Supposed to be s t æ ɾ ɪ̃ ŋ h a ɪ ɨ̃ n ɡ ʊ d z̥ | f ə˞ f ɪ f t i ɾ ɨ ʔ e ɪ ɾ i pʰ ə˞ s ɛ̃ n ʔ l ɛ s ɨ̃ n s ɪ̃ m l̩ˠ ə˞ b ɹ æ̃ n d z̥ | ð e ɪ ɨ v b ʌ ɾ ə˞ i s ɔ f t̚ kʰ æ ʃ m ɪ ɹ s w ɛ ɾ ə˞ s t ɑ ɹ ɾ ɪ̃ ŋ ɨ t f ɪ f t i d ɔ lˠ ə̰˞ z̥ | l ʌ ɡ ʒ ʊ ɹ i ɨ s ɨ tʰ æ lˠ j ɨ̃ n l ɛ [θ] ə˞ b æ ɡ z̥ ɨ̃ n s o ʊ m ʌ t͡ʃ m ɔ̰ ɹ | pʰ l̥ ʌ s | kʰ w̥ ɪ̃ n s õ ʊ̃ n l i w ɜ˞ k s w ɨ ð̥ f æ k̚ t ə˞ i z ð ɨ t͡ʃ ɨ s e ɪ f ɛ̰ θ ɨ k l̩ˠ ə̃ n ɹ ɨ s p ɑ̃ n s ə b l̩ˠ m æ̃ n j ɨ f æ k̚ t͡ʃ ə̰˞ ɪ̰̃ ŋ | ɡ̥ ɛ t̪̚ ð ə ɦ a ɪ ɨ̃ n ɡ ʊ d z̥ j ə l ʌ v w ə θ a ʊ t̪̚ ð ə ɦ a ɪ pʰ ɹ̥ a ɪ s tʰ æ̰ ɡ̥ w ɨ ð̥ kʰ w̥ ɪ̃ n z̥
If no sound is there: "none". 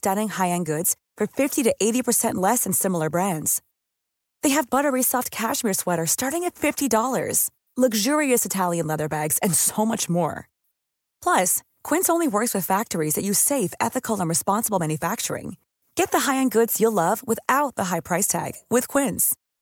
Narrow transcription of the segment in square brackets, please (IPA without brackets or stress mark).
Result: ð